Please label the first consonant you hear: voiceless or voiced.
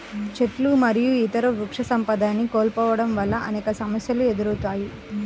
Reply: voiceless